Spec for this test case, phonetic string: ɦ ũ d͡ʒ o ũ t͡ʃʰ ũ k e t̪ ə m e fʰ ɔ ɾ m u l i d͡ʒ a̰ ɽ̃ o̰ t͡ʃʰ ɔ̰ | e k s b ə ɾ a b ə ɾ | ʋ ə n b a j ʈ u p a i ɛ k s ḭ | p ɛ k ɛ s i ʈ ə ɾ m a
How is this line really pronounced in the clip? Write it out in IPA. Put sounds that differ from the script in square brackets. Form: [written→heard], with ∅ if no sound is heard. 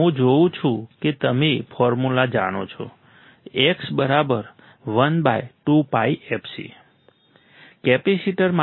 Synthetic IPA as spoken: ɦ ũ d͡ʒ o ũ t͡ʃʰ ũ k e t̪ ə m e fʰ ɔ ɾ m u l [i→a] d͡ʒ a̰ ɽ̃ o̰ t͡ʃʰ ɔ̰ | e k s b ə ɾ a b ə ɾ | ʋ ə n b a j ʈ u p a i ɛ [k→p] s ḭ | [p→k] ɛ [k→p] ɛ s i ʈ ə ɾ m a